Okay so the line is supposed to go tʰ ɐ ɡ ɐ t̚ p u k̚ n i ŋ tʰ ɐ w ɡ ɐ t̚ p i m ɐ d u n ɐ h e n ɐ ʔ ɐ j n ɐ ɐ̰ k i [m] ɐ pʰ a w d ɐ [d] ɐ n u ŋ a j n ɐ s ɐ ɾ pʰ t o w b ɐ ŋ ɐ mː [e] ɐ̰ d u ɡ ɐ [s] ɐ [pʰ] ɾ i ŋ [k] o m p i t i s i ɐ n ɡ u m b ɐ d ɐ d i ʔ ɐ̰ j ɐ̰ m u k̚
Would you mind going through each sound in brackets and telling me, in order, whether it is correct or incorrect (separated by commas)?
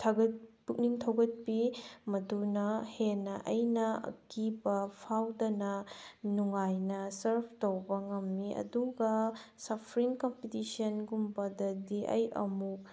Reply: incorrect, incorrect, incorrect, correct, correct, correct